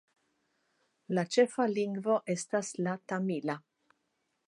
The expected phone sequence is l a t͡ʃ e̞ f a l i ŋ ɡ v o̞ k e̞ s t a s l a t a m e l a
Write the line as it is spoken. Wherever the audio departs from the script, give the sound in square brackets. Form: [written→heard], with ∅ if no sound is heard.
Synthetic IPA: l a t͡ʃ e̞ f a l i ŋ ɡ v o̞ [k→ʔ] e̞ s t a s l a t a m [e→i] l a